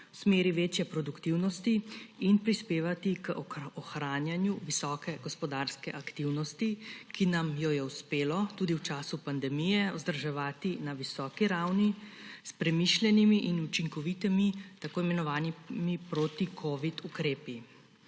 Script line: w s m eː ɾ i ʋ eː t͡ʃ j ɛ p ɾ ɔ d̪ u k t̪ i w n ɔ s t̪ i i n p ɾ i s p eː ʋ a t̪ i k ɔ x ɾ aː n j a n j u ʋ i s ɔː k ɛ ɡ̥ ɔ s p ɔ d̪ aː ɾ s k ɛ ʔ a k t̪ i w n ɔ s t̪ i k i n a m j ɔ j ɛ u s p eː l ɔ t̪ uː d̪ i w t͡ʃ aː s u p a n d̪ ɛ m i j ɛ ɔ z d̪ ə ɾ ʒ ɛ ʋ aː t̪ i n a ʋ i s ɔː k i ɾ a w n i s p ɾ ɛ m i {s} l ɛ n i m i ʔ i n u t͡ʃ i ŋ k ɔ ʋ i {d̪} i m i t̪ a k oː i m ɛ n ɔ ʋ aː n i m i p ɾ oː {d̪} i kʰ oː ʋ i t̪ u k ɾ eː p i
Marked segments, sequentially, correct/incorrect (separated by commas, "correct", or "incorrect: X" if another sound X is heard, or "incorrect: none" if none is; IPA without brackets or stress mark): incorrect: ʃ, incorrect: t̪, incorrect: t̪